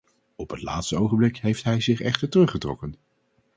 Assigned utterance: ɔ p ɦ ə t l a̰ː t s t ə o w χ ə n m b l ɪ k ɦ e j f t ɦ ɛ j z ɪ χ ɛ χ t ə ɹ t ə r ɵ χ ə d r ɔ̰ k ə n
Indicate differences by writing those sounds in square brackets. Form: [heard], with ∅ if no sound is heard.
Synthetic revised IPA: ɔ p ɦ ə t l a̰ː t s t ə o w χ ə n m b l ɪ k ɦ e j f t ɦ ɛ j z ɪ χ ɛ χ t ə ɹ t ə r ɵ χ ə [t] r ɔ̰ k ə n